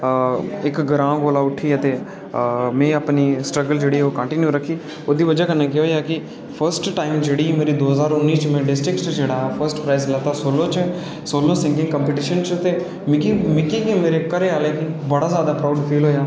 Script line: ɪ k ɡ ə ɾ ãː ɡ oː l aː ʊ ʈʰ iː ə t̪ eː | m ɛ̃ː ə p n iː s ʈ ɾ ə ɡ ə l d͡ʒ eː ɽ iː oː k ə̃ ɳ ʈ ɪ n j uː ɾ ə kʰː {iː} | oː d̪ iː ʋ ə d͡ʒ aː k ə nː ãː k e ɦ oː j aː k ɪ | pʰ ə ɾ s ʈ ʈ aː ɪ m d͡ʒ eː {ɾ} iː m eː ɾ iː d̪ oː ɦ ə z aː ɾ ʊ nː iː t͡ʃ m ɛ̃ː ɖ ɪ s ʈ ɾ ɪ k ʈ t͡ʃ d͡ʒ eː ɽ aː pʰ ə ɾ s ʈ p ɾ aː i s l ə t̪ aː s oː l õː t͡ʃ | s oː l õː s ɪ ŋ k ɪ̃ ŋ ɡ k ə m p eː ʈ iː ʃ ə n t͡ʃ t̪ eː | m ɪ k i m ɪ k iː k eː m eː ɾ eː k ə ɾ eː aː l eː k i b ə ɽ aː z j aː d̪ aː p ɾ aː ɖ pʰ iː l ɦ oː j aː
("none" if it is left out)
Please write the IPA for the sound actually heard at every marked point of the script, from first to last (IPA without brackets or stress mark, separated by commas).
iː, ɽ